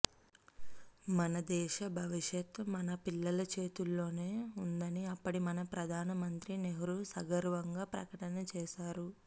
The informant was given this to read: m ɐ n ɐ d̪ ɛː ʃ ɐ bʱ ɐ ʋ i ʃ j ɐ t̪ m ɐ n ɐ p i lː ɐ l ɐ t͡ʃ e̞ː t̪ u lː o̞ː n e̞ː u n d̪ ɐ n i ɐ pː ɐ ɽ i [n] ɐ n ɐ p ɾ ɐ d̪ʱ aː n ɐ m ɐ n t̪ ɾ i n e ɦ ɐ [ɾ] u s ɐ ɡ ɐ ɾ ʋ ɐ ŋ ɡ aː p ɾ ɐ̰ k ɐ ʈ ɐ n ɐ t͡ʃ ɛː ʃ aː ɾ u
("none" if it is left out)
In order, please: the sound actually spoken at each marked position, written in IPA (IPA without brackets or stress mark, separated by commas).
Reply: m, ɾ